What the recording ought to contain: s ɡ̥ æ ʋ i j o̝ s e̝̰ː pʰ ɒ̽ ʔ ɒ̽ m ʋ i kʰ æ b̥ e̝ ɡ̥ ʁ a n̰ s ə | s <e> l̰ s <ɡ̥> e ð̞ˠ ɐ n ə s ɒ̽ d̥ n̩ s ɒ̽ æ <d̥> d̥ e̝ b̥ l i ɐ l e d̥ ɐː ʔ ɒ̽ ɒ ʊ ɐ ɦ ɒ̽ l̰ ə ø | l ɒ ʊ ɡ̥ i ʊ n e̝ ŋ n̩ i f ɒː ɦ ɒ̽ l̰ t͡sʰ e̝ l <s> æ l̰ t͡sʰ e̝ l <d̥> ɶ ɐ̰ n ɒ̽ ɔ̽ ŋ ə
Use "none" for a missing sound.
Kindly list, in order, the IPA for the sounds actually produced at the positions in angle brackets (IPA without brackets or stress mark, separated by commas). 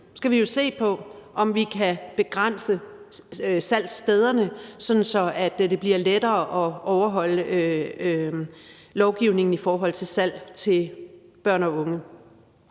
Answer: æ, d̥, d̥, s, b̥